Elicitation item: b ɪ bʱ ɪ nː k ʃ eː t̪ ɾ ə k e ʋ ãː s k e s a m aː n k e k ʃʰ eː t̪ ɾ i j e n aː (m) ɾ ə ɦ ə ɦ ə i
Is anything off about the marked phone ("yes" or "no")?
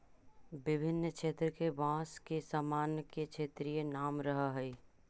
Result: no